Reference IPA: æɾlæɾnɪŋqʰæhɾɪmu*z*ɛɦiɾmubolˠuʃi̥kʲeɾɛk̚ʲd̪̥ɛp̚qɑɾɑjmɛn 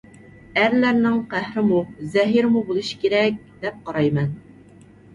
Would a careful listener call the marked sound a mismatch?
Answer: no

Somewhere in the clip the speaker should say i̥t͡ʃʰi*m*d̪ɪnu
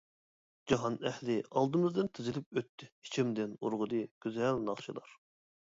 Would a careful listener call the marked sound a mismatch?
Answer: no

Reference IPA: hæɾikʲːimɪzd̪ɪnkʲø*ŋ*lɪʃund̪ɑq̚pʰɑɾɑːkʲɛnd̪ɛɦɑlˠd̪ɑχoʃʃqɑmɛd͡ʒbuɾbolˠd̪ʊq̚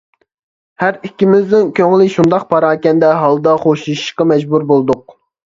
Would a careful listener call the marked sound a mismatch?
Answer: no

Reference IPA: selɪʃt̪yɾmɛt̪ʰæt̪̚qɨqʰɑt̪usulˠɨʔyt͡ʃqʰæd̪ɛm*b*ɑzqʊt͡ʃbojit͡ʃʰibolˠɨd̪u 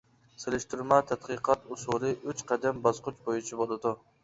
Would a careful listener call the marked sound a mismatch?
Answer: no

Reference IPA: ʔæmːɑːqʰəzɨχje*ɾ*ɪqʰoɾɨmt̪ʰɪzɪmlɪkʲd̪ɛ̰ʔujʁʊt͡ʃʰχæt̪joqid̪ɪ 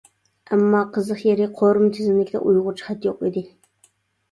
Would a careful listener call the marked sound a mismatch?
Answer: no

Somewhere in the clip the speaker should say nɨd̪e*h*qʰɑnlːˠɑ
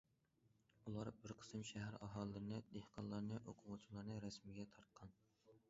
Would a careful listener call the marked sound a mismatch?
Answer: no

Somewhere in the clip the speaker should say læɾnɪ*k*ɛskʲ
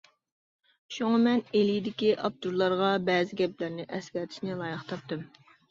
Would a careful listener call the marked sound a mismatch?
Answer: yes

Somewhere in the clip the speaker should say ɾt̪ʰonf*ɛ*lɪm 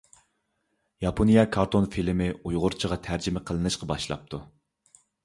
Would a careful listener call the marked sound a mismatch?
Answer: yes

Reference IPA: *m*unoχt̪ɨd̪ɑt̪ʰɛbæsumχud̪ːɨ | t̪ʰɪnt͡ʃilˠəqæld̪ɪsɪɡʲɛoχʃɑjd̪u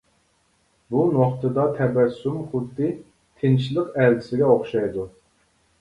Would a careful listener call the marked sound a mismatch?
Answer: yes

